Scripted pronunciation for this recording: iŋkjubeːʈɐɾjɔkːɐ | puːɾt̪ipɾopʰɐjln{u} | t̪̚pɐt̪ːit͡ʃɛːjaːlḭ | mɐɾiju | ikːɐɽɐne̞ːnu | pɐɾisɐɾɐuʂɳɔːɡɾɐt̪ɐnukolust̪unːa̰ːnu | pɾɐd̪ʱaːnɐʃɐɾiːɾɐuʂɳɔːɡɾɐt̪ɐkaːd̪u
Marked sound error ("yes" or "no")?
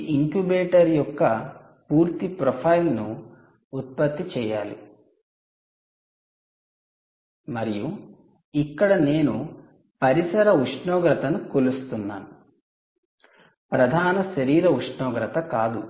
yes